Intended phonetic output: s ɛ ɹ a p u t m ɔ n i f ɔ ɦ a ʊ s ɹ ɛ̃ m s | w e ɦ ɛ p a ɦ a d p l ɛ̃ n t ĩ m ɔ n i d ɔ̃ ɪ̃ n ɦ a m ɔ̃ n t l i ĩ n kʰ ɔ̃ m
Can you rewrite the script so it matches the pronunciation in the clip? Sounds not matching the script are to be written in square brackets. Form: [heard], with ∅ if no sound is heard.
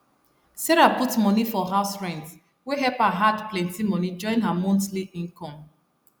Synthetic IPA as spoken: s ɛ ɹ a p u t m ɔ n i f ɔ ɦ a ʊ s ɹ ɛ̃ [n] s | w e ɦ ɛ p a ɦ a d p l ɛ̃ n t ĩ m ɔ n i [d͡ʒ] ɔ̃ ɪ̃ n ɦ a m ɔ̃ n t l i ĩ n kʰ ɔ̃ m